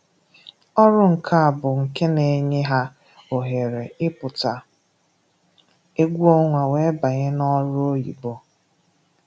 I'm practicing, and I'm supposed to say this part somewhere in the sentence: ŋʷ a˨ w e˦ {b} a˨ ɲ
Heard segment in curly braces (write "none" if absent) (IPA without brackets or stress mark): b